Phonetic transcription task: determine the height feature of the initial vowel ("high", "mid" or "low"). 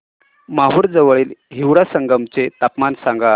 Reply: low